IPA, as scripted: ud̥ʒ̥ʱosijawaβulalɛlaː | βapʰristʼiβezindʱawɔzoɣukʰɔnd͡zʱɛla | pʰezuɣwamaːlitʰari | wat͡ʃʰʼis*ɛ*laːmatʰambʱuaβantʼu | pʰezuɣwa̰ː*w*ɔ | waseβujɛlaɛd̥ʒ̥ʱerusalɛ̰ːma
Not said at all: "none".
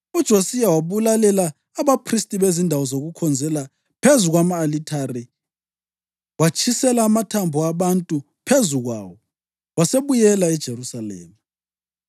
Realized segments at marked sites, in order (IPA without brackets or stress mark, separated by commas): ɛ, w